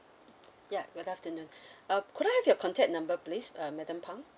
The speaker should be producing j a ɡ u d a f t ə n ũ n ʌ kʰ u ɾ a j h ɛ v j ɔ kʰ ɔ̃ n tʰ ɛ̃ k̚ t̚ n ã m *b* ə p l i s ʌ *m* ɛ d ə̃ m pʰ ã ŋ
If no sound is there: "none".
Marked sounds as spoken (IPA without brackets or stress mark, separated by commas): b, m